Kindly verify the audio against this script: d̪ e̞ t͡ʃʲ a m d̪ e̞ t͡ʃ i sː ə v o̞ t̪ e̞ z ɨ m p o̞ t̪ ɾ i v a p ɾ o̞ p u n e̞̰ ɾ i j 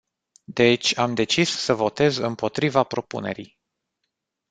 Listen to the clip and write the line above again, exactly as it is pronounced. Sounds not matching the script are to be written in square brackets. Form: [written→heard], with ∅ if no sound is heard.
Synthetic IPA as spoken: d̪ e̞ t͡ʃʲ a m d̪ e̞ t͡ʃ i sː ə v o̞ t̪ e̞ z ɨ m p o̞ t̪ ɾ i v a p ɾ o̞ p u n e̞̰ ɾ i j